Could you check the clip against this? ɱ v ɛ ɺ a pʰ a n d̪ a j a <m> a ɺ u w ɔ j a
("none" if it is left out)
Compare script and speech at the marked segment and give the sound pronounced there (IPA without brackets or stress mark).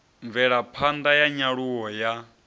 ɲ